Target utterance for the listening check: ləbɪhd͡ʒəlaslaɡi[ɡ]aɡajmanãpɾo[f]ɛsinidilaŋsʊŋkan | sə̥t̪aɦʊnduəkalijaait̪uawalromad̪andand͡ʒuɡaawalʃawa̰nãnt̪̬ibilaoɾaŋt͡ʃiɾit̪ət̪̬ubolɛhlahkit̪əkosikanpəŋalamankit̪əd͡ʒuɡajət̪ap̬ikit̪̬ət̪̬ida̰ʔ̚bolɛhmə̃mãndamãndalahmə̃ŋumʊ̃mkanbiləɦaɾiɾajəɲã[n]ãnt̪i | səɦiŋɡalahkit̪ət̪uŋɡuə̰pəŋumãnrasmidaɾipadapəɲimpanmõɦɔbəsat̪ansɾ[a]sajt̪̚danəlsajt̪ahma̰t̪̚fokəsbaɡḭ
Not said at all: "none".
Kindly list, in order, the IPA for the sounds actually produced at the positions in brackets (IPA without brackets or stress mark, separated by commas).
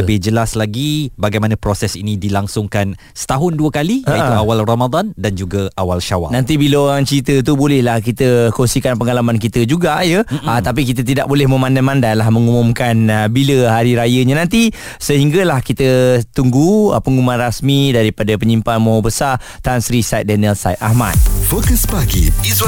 b, s, n, i